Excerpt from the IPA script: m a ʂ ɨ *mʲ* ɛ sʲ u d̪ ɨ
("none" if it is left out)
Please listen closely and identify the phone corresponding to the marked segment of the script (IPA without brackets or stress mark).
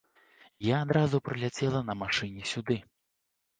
nʲ